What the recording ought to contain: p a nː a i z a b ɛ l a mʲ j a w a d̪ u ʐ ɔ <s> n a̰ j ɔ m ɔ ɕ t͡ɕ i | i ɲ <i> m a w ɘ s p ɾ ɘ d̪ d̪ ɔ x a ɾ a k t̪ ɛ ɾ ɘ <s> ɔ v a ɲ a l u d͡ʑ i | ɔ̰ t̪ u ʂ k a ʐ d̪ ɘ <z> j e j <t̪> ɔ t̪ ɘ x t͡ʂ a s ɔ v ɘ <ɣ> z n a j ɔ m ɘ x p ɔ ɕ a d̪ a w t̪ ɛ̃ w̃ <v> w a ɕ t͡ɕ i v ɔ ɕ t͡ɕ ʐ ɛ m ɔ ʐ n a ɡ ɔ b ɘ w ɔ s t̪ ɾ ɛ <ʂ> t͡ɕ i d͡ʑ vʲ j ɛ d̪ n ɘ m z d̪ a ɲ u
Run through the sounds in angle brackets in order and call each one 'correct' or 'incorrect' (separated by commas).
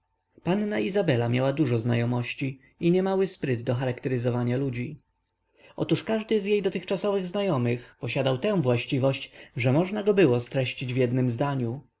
incorrect, incorrect, incorrect, correct, incorrect, correct, correct, incorrect